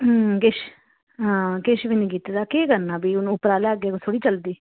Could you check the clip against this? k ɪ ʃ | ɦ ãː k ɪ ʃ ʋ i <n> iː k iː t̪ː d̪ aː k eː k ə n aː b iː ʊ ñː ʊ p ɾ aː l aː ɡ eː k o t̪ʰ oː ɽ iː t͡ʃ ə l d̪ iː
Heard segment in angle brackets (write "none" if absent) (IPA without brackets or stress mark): n